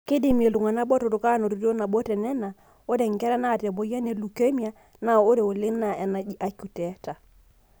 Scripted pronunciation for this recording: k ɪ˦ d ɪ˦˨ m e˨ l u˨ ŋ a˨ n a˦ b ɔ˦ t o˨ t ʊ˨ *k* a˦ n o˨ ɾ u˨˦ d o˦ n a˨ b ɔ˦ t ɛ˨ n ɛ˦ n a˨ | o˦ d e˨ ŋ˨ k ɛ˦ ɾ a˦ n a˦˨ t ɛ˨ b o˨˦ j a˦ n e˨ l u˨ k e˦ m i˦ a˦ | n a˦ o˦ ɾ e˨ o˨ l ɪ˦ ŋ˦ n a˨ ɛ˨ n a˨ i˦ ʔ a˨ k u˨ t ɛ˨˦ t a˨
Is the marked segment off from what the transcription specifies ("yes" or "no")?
no